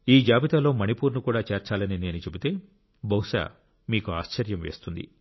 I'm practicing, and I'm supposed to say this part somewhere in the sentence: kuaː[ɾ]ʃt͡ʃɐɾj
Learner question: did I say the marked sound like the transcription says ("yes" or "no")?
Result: no